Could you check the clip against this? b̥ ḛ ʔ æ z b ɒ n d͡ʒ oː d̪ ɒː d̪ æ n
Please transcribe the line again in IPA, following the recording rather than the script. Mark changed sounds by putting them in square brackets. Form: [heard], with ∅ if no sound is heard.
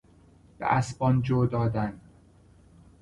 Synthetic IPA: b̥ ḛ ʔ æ [s] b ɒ n d͡ʒ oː d̪ ɒː d̪ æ n